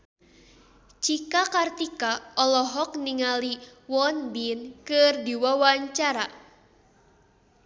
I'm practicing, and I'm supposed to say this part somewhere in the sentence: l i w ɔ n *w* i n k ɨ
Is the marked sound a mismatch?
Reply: yes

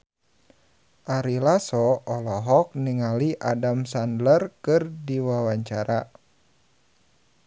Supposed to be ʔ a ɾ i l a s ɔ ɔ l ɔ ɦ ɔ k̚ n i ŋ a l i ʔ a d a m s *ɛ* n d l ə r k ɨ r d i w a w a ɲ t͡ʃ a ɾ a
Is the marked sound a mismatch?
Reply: yes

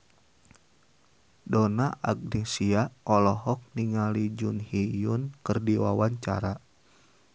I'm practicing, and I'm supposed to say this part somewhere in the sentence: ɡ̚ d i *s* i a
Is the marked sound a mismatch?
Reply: no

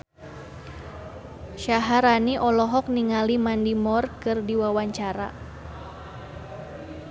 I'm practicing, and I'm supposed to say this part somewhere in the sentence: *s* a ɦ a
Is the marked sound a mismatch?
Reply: yes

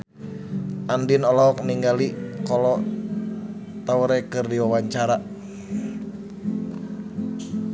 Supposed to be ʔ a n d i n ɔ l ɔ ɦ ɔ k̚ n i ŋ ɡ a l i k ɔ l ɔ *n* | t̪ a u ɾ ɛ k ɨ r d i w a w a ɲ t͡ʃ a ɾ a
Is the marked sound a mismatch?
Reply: yes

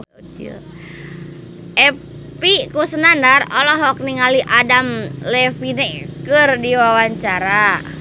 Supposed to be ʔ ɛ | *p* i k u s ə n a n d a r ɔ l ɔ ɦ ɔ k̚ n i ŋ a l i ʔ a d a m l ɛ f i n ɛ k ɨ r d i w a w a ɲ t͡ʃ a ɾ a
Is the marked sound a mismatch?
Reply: no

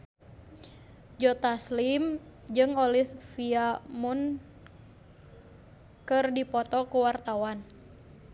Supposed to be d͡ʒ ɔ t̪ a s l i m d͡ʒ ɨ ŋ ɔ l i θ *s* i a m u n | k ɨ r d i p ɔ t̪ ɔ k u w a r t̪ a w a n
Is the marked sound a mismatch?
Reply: yes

